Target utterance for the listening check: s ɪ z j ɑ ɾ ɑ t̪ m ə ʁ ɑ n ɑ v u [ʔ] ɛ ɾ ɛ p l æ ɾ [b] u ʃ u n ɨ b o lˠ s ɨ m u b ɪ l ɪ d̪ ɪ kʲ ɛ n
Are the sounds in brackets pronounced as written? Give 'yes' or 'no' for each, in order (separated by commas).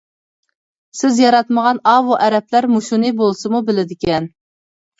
yes, no